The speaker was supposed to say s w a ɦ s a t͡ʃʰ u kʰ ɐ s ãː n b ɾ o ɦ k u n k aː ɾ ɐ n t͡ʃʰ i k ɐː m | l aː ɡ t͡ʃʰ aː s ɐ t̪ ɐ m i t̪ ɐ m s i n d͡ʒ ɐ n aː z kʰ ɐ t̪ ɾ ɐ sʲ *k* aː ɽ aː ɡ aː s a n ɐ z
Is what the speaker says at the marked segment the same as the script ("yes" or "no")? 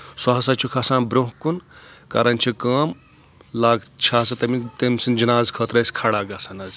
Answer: no